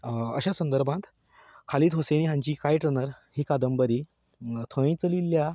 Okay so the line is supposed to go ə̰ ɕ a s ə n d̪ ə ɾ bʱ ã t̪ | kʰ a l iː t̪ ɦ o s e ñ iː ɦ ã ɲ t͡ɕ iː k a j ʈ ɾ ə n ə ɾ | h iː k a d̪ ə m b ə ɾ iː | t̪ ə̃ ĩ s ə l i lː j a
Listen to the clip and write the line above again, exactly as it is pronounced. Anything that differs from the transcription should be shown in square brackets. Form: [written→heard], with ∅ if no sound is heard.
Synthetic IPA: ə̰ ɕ a s ə n d̪ ə ɾ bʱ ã t̪ | kʰ a l iː t̪ ɦ o s e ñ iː ɦ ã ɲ t͡ɕ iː k a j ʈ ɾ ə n ə ɾ | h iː k a d̪ ə m b ə ɾ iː | [t̪→t̪ʰ] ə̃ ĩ [s→t͡s] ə l i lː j a